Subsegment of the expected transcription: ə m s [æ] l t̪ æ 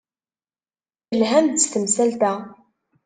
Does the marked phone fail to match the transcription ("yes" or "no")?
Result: no